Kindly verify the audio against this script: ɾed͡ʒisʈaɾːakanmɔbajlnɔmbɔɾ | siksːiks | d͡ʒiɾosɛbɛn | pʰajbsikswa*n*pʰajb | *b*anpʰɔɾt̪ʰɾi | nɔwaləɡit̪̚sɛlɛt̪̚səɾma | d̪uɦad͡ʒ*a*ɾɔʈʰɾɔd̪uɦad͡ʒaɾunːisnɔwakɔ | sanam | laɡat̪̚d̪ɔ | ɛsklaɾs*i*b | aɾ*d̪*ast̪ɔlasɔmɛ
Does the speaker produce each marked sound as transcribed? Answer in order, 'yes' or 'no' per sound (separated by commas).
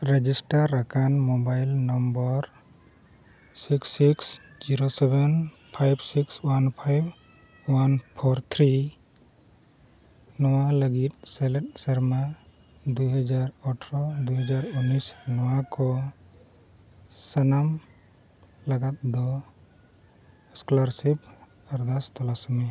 yes, no, yes, yes, yes